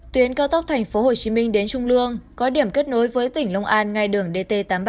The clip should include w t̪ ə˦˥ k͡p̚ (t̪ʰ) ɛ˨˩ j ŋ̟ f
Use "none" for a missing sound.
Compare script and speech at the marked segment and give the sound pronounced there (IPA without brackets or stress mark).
t̪ʰ